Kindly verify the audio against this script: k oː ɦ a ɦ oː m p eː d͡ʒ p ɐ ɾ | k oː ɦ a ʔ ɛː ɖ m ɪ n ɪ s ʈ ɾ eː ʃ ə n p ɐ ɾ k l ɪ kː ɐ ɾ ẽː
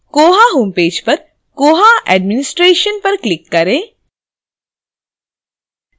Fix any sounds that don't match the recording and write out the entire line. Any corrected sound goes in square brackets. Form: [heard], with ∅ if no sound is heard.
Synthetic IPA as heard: k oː ɦ a ɦ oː m p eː d͡ʒ p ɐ ɾ | k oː ɦ a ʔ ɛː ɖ m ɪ n ɪ s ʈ ɾ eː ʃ ə n p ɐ ɾ k l ɪ kː ɐ ɾ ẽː